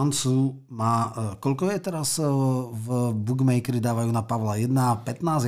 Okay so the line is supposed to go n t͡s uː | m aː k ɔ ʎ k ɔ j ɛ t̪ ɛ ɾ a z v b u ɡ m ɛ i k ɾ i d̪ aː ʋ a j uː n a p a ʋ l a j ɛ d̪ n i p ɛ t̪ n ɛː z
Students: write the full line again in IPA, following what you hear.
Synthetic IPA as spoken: n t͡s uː | m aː k ɔ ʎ k ɔ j ɛ t̪ ɛ ɾ a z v b u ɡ m ɛ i k ɾ i d̪ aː ʋ a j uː n a p a ʋ l a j ɛ d̪ n a p ɛ t̪ n aː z